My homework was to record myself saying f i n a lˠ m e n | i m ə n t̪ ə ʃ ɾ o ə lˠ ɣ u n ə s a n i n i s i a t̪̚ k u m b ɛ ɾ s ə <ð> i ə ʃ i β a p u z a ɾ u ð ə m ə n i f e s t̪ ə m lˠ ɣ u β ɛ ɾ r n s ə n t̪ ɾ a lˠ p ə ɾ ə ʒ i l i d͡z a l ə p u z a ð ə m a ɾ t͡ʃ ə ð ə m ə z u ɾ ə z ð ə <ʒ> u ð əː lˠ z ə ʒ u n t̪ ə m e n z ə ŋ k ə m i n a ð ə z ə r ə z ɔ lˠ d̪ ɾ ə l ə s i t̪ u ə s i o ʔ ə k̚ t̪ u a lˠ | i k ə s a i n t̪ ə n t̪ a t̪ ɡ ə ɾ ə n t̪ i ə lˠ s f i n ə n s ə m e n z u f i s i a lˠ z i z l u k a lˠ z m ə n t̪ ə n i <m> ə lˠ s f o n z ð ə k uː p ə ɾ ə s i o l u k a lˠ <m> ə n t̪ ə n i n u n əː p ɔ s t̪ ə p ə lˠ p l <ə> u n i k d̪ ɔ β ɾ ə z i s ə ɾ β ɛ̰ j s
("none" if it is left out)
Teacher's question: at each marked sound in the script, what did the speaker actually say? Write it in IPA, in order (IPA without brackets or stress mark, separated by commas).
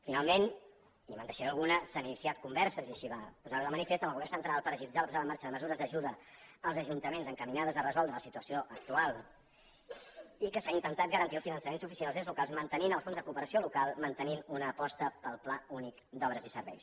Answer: z, ʒ, n, m, a